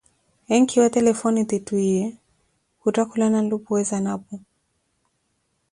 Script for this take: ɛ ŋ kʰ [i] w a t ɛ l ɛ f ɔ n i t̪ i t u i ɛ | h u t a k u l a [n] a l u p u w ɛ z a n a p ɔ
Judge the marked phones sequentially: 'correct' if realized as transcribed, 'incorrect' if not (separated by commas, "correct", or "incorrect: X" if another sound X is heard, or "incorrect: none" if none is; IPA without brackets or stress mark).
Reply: correct, correct